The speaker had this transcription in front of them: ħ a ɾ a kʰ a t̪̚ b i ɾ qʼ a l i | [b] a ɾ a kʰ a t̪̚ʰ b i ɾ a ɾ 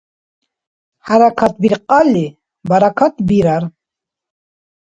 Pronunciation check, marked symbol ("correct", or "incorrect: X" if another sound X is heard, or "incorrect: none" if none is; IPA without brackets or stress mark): correct